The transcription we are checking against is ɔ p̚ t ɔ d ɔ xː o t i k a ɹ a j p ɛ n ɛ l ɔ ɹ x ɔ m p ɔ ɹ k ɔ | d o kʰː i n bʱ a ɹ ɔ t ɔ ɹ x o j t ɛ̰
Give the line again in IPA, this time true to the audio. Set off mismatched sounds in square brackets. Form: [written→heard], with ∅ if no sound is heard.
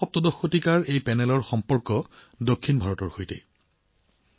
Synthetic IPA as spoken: ɔ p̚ t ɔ d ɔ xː o t i k a ɹ [a→e] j p ɛ n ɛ l ɔ ɹ x ɔ m p ɔ ɹ k ɔ | d o kʰː i n bʱ a ɹ ɔ t ɔ ɹ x o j t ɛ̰